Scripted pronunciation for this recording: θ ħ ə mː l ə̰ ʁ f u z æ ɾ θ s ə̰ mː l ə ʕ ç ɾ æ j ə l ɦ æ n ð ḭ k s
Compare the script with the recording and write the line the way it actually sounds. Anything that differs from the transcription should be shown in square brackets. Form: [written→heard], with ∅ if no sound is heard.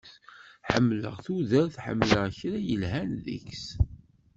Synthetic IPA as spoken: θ ħ ə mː l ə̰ ʁ [f→θ] u [z→ð] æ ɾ θ [s→ħ] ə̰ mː l ə [ʕ→ʁ] ç ɾ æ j ə l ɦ æ n ð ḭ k s